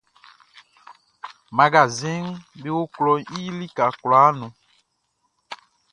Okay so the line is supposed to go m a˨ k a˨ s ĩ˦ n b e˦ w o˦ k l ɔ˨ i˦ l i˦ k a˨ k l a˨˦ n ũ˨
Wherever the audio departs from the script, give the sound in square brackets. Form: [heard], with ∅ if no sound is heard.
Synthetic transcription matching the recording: m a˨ [ɡ] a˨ [z] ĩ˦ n b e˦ w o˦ k l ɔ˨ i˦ l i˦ k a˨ k l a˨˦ n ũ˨

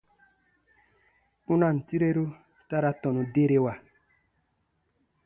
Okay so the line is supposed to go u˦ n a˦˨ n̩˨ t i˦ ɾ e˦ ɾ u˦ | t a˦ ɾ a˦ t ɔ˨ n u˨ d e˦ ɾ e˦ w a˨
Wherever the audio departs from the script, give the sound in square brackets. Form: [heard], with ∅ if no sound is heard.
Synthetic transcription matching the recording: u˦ n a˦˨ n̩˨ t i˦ ɾ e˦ ɾ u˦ | t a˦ ɾ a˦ t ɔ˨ n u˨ d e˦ ɾ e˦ w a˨

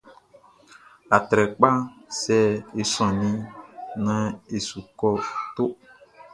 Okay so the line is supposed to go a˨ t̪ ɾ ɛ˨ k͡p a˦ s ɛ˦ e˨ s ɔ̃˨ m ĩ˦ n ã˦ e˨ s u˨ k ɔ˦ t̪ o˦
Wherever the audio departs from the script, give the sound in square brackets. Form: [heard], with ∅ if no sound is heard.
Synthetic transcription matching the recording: a˨ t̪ ɾ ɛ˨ k͡p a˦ s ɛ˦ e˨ s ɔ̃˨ [n] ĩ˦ n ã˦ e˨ s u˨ k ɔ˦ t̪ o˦

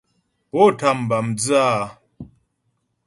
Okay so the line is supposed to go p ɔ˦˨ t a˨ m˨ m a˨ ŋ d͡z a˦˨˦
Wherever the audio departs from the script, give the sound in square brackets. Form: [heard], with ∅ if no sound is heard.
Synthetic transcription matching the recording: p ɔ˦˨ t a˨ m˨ [b] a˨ [m] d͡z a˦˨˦

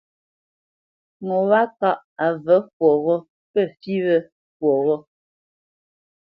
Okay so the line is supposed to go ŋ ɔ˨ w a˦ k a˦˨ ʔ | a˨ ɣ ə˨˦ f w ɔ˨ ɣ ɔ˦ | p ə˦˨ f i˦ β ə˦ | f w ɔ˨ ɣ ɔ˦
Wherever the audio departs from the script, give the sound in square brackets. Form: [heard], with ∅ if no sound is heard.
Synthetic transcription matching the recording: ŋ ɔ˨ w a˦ k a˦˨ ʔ | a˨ [v] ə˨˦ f w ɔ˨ ɣ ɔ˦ | p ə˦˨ f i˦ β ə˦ | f w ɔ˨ ɣ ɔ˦

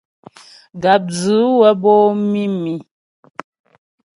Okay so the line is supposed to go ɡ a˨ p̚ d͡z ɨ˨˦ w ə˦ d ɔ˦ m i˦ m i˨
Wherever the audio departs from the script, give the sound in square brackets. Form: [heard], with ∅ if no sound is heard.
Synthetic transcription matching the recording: ɡ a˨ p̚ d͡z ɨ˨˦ w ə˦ [b] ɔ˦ m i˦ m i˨

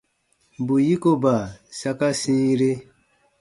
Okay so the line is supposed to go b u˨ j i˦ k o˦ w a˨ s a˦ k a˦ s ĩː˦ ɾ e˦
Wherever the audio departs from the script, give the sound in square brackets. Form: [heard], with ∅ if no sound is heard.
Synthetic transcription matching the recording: b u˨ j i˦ k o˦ [b] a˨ s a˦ k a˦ s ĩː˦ ɾ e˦

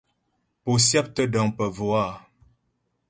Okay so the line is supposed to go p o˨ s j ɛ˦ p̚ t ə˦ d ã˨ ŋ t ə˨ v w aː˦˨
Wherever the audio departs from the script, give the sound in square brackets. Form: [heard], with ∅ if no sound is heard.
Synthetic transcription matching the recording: p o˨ s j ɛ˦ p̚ t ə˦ d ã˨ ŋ [p] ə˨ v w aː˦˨

